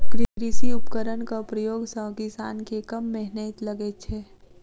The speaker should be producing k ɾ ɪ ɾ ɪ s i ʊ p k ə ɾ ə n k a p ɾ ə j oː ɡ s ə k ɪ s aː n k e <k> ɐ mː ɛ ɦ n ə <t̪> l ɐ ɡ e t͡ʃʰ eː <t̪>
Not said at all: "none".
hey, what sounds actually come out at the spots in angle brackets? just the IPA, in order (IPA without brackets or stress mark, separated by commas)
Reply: k, t̪, none